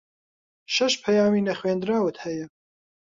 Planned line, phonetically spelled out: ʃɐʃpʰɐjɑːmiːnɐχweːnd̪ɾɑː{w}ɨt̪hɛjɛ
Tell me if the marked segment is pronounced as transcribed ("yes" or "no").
yes